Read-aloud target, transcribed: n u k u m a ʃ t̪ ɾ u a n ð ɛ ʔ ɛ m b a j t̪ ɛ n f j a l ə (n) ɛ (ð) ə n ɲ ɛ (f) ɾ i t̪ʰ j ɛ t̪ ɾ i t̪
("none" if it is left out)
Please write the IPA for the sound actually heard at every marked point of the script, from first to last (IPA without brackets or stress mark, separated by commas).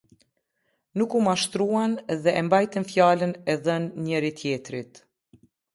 n, ð, none